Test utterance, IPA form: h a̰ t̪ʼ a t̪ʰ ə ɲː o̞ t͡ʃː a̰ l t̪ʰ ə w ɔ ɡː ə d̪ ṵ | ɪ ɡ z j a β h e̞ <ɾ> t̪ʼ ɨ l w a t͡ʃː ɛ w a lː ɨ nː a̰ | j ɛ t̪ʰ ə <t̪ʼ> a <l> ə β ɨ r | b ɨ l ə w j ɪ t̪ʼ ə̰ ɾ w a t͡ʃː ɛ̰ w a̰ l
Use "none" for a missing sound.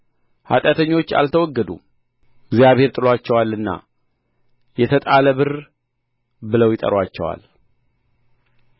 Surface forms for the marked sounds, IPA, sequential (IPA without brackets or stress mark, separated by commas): ɾ, t̪ʼ, l